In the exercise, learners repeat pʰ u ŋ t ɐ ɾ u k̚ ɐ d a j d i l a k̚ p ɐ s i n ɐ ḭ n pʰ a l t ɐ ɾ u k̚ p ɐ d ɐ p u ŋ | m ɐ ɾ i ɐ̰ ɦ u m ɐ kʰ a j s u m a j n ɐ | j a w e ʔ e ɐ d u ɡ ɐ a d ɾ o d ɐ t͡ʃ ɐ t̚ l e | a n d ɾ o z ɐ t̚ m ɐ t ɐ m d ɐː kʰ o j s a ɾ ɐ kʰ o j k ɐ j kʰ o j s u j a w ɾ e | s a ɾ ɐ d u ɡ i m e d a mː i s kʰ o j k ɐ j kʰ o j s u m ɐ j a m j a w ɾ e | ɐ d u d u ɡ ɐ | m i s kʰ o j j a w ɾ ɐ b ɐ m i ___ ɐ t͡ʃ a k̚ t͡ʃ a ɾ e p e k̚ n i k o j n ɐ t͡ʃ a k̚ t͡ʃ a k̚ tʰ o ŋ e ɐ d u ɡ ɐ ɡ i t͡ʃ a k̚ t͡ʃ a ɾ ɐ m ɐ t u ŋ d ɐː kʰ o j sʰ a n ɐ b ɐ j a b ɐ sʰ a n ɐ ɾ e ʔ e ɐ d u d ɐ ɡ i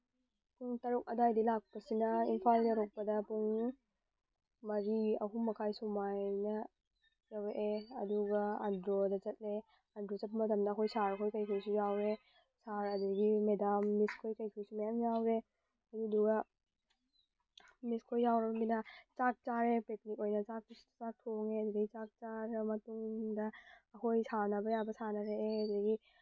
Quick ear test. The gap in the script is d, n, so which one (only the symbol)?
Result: n